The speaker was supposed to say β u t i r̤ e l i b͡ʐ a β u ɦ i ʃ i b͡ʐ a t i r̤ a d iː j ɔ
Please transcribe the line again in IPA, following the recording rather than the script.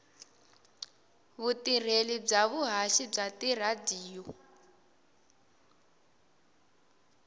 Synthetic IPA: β u t i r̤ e l i b͡ʐ a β u ɦ a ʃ i b͡ʐ a t i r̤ a d iː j ɔ